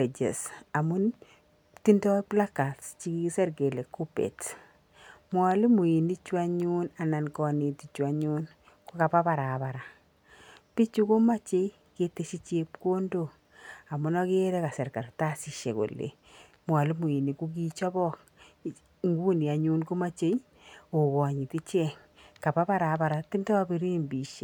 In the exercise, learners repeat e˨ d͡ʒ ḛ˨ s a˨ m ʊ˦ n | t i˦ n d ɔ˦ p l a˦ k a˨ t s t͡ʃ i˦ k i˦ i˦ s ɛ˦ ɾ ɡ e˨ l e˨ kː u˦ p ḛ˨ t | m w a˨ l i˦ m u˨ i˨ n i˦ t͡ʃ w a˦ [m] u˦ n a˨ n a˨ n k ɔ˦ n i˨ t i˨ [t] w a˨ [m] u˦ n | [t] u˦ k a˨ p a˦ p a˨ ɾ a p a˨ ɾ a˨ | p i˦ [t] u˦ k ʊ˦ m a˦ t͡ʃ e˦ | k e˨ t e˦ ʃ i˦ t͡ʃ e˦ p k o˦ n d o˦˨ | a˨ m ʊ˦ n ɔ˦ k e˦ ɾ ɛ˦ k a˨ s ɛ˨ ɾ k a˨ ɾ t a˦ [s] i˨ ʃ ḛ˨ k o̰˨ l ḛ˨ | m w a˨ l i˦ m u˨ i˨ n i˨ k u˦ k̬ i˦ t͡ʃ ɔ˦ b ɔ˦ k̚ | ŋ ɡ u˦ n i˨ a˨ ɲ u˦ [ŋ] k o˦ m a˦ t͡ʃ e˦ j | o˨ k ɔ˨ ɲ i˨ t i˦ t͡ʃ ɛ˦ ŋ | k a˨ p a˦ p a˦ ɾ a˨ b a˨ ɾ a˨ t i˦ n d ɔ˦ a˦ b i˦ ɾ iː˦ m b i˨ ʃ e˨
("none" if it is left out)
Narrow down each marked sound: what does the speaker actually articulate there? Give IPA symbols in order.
ɲ, t͡ʃ, ɲ, k, t͡ʃ, s, n

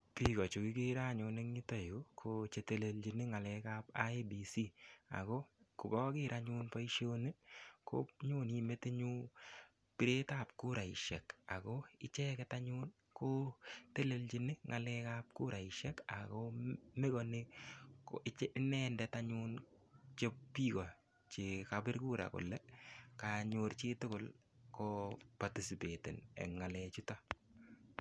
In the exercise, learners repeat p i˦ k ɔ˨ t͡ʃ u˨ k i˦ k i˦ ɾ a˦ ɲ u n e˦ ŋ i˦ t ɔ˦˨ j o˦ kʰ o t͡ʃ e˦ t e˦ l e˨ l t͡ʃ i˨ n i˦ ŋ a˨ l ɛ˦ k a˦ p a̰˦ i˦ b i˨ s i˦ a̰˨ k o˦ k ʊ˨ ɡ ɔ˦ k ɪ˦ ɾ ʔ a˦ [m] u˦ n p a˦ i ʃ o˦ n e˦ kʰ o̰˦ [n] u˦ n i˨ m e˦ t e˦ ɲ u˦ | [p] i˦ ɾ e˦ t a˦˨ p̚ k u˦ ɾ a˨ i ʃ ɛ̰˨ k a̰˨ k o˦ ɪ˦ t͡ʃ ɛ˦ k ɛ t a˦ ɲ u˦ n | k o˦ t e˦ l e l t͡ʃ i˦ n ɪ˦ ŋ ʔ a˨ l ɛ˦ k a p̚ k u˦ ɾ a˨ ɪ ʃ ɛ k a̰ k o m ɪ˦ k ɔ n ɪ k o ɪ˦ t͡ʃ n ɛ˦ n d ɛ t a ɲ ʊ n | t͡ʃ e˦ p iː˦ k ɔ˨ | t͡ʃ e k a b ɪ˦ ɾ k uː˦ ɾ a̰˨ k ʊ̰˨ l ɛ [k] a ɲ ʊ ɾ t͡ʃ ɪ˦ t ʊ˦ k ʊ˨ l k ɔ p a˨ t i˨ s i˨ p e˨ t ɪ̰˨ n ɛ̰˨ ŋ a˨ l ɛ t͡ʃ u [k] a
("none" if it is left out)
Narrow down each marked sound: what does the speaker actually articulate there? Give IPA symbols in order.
ɲ, ɲ, p, k, t

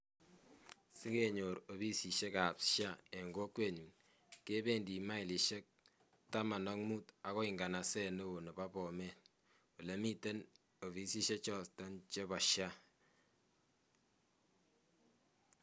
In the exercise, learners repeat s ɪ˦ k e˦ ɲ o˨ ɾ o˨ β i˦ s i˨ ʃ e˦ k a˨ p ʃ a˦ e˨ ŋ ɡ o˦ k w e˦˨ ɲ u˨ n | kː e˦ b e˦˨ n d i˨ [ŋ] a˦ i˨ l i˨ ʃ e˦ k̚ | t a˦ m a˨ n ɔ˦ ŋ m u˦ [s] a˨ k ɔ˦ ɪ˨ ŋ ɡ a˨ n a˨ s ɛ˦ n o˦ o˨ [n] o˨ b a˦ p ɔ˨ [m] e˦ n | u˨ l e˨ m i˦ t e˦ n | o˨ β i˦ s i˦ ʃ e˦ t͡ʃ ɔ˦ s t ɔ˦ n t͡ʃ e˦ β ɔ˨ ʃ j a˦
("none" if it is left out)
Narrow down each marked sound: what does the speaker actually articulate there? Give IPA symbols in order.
m, t, n, m

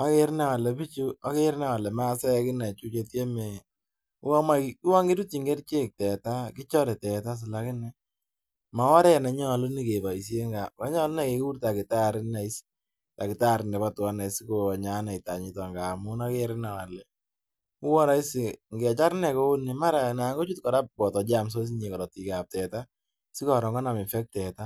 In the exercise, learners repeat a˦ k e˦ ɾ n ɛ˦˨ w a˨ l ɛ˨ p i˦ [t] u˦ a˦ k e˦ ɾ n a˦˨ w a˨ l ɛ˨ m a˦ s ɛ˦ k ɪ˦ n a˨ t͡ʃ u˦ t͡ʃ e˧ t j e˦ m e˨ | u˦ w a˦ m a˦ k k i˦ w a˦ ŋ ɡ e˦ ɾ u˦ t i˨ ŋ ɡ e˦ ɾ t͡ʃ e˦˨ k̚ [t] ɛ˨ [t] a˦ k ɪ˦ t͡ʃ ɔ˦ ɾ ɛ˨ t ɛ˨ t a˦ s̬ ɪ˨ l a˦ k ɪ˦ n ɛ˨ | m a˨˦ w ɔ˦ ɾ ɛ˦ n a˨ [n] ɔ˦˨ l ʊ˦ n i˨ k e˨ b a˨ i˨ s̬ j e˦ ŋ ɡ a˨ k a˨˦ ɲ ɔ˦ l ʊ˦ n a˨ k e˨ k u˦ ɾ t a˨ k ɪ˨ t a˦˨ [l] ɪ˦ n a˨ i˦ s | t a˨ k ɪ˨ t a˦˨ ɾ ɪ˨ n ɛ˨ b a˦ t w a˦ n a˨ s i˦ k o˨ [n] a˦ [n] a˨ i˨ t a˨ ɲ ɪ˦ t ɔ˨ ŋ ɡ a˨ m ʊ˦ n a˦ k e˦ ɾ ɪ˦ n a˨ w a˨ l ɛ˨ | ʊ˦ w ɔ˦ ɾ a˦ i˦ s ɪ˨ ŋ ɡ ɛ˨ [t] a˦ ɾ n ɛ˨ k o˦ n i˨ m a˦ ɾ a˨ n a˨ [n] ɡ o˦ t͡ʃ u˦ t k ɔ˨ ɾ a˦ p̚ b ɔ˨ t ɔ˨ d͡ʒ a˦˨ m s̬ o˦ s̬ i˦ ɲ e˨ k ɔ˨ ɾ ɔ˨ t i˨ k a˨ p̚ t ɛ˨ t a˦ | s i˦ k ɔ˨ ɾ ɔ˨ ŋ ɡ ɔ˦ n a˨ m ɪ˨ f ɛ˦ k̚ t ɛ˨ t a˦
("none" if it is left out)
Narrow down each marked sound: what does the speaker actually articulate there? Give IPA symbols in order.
t͡ʃ, t, t, ɲ, ɾ, ɲ, n, t͡ʃ, ŋ

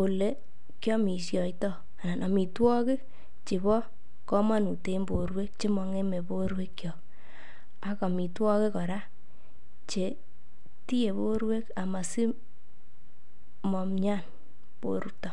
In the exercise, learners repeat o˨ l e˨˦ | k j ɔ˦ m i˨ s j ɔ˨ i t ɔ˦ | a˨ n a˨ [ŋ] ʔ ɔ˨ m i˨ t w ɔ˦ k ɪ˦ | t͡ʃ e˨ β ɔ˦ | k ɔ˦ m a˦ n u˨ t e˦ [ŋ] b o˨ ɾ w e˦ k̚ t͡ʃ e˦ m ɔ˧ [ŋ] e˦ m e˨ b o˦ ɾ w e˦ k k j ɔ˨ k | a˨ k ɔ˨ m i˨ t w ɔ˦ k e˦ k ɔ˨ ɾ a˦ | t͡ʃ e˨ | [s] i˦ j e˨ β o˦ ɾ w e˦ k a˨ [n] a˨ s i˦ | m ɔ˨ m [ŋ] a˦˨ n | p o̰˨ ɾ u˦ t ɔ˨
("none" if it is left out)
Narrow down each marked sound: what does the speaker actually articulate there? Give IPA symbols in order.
n, m, ŋ, t, m, ɲ

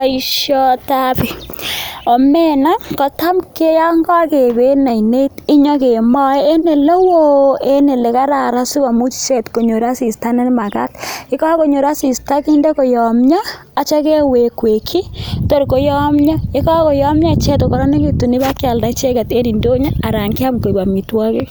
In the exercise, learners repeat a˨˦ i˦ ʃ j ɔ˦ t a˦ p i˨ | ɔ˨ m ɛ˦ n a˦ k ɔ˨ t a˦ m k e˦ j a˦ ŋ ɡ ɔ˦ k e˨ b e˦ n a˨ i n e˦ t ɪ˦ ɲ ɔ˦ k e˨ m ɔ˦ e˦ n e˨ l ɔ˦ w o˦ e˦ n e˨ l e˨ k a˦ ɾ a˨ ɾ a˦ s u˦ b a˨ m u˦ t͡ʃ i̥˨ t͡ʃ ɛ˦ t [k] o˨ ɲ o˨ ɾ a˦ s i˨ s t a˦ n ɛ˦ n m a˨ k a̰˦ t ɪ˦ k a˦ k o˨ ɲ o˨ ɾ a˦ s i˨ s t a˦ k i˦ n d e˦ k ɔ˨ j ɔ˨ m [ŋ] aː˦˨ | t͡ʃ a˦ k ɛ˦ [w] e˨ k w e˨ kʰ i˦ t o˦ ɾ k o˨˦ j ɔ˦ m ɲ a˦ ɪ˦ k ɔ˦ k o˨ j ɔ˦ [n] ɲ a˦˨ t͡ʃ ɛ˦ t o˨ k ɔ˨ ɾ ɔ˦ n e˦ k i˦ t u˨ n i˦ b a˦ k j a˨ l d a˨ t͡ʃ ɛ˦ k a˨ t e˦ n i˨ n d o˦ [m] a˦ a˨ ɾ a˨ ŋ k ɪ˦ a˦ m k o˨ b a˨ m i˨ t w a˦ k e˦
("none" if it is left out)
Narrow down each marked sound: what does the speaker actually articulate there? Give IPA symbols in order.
k, ɲ, w, m, ɲ

